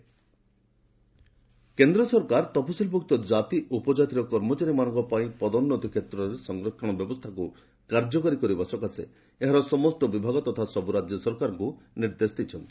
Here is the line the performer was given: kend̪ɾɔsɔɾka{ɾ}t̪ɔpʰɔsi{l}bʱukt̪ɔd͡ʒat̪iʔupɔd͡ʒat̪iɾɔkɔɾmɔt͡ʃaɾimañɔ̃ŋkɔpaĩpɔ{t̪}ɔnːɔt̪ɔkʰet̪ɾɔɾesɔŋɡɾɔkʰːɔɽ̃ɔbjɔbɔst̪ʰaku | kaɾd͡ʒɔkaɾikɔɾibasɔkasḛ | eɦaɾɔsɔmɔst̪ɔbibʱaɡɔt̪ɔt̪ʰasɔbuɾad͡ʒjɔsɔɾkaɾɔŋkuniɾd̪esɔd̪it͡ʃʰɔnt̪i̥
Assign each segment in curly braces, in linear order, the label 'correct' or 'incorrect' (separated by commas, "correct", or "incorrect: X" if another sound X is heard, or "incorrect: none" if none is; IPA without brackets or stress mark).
correct, correct, incorrect: d̪